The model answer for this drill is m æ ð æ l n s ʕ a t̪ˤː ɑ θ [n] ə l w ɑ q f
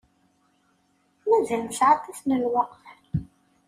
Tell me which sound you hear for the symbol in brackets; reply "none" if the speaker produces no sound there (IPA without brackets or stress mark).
n